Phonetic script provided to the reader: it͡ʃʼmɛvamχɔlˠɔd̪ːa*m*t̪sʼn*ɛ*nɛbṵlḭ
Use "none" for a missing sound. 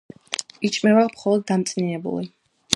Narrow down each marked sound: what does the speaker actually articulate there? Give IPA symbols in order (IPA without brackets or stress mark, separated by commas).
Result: m, i